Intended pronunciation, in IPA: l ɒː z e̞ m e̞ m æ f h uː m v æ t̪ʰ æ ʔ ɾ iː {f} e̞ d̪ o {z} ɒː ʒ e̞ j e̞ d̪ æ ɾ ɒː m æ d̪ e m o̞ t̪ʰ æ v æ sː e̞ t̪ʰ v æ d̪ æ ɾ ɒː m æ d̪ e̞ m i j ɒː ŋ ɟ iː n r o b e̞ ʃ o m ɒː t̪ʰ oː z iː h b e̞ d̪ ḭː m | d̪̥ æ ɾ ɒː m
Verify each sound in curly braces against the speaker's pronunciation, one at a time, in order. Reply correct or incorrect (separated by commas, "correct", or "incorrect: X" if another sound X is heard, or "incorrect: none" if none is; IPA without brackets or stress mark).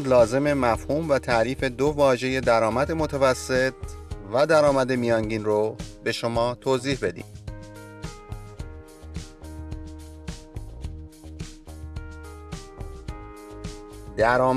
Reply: correct, incorrect: v